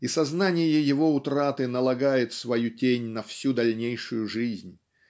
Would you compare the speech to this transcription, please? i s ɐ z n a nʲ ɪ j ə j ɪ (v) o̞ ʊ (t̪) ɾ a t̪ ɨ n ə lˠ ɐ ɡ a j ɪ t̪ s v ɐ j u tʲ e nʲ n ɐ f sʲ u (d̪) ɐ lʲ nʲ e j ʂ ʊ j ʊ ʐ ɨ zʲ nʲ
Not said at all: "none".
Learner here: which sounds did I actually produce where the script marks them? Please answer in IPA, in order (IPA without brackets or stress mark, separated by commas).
v, t̪, d̪